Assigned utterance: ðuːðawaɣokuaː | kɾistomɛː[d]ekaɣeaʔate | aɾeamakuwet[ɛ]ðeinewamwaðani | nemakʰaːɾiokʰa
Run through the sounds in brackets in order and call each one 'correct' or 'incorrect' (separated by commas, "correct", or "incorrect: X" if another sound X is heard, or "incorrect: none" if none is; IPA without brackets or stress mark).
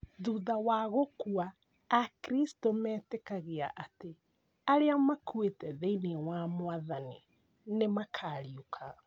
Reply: incorrect: t, correct